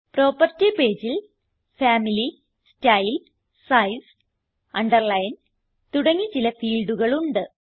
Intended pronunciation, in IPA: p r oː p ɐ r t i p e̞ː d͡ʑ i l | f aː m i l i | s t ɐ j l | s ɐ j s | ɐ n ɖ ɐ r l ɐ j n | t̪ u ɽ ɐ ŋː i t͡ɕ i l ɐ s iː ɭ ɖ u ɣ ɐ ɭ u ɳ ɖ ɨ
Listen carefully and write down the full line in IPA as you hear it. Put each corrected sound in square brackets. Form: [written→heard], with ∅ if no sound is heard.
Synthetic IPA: p r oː p ɐ r t i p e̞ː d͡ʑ i l | f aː m i l i | s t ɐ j l | s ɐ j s | ɐ [n→ɳ] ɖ ɐ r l ɐ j n | t̪ u ɽ ɐ ŋː i t͡ɕ i l ɐ [s→f] iː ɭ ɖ u ɣ ɐ ɭ u ɳ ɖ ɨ